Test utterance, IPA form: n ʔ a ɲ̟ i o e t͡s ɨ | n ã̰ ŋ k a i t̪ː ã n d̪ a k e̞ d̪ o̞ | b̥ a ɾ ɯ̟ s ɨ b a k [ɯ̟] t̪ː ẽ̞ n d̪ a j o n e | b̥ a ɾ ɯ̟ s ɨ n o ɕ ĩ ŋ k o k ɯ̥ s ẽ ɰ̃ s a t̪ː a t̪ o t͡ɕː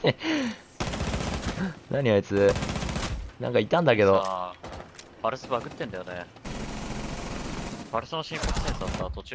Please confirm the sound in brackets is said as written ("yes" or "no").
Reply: yes